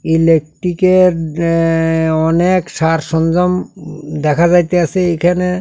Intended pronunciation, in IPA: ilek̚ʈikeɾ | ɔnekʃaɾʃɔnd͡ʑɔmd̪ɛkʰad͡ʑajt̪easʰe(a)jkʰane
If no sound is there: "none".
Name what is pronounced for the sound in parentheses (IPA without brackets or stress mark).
e